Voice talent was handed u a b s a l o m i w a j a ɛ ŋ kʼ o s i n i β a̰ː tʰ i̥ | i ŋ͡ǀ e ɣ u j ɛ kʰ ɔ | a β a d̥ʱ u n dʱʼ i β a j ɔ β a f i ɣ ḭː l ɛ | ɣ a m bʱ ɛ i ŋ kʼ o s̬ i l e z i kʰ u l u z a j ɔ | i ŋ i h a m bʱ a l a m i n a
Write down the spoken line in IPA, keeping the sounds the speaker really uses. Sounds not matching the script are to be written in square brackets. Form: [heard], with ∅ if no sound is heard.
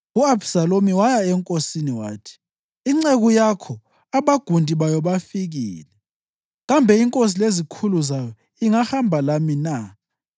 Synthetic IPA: u a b s a l o m i w a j a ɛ ŋ kʼ o s i n i [w] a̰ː tʰ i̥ | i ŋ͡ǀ e ɣ u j [a] kʰ ɔ | a β a [ɡ̥ʱ] u n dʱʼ i β a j ɔ β a f i ɣ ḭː l ɛ | ɣ a m bʱ ɛ i ŋ kʼ o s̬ i l e z i kʰ u l u z a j ɔ | i ŋ [a] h a m bʱ a l a m i n a